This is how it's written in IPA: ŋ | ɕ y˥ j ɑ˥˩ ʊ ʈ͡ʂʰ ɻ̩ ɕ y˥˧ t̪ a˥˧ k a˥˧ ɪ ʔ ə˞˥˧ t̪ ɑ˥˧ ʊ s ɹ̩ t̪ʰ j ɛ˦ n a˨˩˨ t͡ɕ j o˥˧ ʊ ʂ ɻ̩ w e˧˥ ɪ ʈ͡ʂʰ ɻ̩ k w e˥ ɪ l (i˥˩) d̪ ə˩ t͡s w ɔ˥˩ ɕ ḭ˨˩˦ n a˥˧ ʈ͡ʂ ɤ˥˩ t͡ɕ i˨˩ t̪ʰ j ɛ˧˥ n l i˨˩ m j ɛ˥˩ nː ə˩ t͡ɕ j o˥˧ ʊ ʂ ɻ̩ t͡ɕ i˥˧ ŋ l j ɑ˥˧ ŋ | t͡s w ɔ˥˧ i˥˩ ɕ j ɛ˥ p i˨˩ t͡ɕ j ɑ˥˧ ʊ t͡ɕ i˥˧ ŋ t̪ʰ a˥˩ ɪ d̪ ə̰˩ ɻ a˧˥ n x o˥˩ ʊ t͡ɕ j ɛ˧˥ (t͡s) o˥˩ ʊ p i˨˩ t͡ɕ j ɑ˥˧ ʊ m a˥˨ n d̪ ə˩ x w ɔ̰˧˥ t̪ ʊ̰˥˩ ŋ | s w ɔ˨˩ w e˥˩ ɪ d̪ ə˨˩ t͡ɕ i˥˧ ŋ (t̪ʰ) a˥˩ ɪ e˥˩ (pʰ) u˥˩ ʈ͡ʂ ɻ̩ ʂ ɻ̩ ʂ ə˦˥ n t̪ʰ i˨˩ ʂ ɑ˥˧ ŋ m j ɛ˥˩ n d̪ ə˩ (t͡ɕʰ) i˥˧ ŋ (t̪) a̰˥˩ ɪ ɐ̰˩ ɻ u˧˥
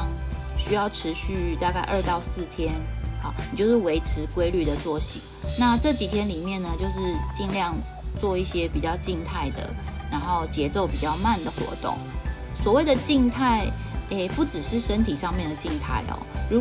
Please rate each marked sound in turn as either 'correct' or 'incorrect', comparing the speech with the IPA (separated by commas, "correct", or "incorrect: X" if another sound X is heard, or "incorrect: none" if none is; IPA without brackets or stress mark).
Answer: incorrect: y˥˩, correct, correct, incorrect: p, incorrect: t͡ɕ, incorrect: t̪ʰ